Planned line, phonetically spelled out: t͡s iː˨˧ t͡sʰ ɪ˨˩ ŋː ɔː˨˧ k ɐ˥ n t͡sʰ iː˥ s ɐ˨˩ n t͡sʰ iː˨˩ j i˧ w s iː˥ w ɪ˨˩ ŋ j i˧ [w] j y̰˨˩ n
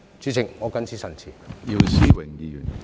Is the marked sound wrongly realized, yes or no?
yes